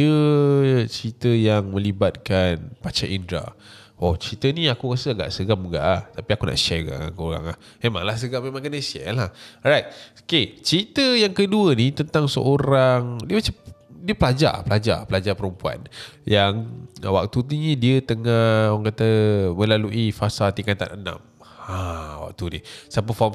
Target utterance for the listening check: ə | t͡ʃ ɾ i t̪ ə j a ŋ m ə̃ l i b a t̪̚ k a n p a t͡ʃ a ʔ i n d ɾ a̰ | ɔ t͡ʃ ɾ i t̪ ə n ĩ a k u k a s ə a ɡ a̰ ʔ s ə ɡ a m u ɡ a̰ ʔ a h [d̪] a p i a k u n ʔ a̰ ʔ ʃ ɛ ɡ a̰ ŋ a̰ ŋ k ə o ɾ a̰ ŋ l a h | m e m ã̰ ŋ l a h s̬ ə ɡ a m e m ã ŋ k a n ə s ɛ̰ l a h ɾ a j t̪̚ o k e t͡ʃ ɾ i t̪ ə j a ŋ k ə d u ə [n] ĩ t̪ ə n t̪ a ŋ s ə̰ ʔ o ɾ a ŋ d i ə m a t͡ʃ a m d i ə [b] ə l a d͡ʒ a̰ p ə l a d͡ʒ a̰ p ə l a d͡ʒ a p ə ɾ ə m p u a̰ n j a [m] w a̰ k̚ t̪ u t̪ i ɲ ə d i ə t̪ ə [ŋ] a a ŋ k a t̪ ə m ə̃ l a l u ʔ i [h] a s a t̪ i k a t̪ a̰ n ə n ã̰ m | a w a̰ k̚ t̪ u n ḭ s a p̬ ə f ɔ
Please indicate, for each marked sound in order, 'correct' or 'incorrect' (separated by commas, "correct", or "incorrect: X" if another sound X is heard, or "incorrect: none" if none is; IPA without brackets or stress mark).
incorrect: t̪, correct, incorrect: p, incorrect: ŋ, correct, incorrect: f